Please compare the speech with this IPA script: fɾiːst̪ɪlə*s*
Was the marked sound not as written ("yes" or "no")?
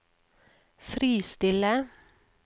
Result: yes